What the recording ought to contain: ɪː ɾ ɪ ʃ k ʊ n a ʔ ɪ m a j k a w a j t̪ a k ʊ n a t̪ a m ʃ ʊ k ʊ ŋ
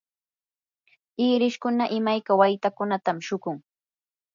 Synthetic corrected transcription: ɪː ɾ ɪ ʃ k ʊ n a ʔ ɪ m a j k a w a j t̪ a k ʊ n a t̪ a m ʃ ʊ k ʊ ŋ